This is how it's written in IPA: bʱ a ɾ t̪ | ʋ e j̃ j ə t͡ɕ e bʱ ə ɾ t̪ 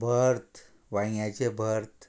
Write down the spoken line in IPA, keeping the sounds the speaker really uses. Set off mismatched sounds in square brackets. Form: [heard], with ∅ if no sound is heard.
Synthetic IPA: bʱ [ə] ɾ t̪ | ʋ [a] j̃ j [a] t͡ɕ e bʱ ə ɾ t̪